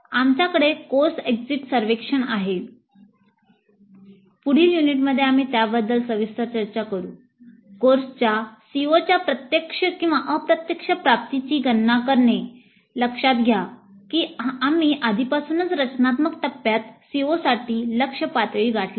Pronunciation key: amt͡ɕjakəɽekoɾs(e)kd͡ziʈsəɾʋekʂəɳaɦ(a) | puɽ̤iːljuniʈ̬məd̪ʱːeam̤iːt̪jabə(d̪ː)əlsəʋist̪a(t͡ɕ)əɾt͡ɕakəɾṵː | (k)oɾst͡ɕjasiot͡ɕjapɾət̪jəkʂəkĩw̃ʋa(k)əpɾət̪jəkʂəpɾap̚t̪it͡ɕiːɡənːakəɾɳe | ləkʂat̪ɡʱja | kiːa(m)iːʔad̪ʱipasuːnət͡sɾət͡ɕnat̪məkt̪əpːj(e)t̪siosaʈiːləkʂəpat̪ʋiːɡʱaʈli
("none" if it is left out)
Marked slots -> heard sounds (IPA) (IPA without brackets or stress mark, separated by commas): e, e, d̪ː, t͡ɕ, k, ʔ, m, a